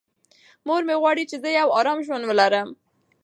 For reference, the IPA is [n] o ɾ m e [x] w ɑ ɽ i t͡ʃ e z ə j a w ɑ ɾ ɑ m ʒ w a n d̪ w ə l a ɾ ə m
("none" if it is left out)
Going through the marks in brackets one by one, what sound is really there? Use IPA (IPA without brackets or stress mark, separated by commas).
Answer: m, ɣ